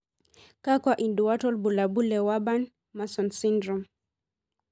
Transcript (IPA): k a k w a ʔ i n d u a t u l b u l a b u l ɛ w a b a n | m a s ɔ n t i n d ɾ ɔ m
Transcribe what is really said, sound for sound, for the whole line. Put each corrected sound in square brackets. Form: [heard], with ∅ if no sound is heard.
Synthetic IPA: k a k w a ʔ i n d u a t [ɔ] l b u l a b u l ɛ w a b a n | m a s ɔ n [s] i n d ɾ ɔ m